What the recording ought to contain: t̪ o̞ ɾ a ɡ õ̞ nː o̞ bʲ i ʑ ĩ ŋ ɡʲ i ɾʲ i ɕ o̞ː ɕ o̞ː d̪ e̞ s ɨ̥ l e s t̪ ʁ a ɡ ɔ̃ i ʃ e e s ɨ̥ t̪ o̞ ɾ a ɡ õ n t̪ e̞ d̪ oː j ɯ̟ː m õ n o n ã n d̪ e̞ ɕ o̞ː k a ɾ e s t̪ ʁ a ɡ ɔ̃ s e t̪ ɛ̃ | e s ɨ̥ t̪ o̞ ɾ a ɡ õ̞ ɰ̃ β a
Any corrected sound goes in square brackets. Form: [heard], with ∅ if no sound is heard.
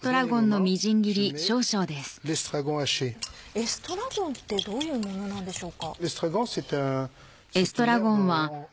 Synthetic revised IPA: t̪ o̞ ɾ a ɡ õ̞ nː o̞ [mʲ] i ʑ ĩ ŋ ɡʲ i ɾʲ i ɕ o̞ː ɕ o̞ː d̪ e̞ s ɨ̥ l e s t̪ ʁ a ɡ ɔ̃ [a] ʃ e e s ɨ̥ t̪ o̞ ɾ a ɡ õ n t̪ e̞ d̪ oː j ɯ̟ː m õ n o n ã n d̪ e̞ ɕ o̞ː k a [l] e s t̪ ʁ a ɡ ɔ̃ s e t̪ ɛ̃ | e s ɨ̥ t̪ o̞ ɾ a ɡ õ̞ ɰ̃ β a